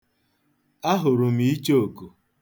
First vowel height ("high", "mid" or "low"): low